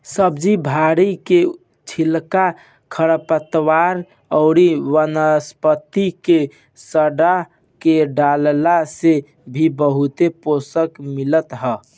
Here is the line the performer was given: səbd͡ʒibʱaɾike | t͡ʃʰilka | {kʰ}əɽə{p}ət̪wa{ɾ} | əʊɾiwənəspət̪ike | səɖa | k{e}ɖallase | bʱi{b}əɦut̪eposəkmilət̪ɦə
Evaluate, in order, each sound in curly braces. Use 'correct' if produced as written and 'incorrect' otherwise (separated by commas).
correct, correct, correct, correct, correct